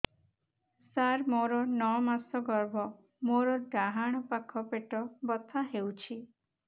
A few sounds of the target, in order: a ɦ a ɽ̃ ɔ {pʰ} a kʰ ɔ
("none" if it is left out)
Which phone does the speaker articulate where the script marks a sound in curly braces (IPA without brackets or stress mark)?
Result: p